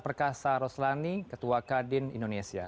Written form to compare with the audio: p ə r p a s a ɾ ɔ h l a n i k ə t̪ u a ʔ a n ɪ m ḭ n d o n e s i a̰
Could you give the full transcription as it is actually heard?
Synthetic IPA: p ə r k a s a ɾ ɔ s l a n i k ə t̪ u a k a d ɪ n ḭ n d o n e s i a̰